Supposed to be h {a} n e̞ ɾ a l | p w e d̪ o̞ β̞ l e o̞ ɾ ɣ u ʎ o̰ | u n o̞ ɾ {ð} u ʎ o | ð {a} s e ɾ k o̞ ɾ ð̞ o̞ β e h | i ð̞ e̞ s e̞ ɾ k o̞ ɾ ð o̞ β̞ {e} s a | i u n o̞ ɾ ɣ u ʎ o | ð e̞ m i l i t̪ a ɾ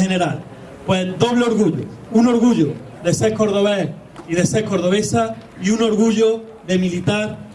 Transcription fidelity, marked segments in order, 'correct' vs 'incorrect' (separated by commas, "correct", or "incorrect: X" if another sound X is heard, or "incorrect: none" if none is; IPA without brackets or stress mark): incorrect: e, incorrect: ɣ, incorrect: e, correct